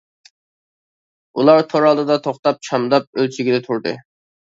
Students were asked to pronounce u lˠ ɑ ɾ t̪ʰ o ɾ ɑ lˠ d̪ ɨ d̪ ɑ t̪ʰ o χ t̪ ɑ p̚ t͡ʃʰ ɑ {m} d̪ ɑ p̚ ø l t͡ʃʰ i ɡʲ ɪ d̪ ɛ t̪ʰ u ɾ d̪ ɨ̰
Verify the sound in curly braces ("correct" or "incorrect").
correct